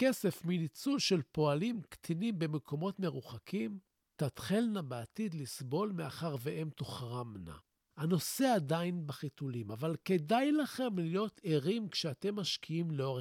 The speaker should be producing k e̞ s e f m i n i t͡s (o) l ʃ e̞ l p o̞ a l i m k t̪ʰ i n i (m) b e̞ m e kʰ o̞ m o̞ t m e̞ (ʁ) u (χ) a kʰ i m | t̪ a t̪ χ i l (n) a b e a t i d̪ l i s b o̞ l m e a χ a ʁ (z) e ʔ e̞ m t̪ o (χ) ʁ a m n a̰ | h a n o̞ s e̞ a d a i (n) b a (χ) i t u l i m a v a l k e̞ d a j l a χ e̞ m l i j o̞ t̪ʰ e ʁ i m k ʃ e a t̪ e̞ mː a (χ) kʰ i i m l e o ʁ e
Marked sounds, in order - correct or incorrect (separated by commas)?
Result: incorrect, correct, correct, correct, correct, incorrect, correct, correct, correct, incorrect